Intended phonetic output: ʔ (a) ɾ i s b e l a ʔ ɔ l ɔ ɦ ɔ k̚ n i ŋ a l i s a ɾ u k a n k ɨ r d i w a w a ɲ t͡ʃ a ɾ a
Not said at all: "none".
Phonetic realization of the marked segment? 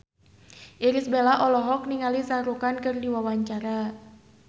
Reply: i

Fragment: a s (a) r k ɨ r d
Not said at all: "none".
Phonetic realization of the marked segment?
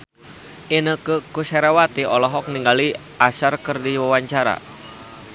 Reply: a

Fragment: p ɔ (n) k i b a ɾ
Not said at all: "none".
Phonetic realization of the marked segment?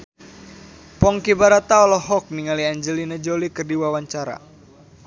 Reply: ŋ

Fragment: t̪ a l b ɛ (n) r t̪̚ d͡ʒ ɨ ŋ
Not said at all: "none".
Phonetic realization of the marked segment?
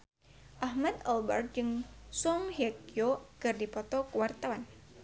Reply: none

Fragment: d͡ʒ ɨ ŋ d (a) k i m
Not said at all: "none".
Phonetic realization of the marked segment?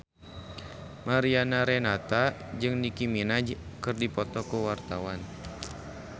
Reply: i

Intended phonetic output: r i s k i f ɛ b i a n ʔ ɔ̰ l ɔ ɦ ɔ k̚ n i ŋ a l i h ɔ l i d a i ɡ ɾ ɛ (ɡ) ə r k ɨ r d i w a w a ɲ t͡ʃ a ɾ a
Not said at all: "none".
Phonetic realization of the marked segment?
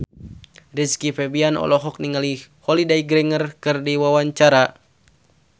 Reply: ŋ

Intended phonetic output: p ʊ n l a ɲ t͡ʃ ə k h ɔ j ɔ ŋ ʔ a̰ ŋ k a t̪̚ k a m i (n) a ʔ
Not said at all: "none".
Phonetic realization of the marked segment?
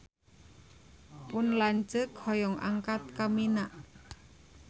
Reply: n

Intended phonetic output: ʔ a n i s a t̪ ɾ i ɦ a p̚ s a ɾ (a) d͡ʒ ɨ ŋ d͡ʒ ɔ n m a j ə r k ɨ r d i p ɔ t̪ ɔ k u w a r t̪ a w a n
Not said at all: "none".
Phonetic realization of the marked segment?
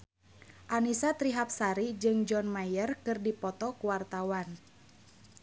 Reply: i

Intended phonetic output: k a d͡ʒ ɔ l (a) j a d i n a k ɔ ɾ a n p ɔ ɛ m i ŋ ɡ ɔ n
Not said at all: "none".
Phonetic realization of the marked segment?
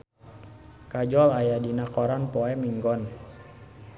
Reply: a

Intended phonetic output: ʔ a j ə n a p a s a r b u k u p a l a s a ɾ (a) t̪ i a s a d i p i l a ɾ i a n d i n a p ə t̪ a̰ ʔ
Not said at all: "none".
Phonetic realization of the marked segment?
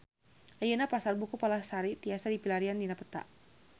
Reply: i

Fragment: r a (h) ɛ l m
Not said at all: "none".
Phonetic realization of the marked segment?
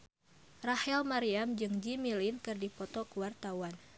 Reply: h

